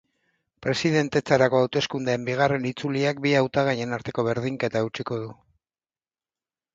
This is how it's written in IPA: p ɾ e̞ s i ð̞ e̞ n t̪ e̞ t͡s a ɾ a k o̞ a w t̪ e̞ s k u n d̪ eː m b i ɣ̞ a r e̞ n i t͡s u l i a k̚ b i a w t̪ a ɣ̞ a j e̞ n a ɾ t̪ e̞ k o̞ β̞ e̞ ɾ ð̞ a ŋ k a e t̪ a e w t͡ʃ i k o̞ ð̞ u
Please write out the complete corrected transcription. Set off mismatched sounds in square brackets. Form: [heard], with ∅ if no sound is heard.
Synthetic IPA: p ɾ e̞ s i ð̞ e̞ n t̪ e̞ t͡s a ɾ a k o̞ a w t̪ e̞ s k u n d̪ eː m b i ɣ̞ a r e̞ n i t͡s u l i a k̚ b i a w t̪ a ɣ̞ a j e̞ n a ɾ t̪ e̞ k o̞ β̞ e̞ ɾ ð̞ [i] ŋ k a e t̪ a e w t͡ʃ i k o̞ ð̞ u